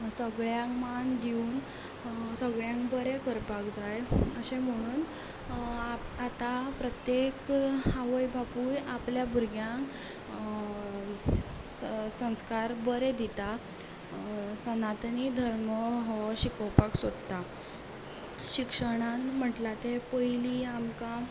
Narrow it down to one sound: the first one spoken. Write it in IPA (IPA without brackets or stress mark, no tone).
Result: s